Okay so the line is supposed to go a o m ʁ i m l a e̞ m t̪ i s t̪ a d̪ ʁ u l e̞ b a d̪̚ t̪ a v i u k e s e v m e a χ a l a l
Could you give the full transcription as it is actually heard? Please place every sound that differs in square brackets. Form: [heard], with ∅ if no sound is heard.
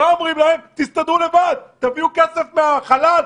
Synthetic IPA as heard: a o m ʁ i m l a e̞ m t̪ i s t̪ a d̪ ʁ u l e̞ [v] a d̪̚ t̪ a v i u k e s e [f] m e a χ a l a l